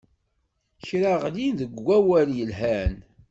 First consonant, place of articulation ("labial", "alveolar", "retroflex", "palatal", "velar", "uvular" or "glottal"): palatal